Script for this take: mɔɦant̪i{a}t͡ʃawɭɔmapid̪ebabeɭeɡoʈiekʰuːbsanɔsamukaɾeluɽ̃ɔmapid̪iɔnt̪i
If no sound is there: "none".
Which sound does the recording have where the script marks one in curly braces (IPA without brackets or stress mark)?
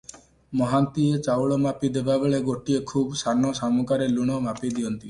e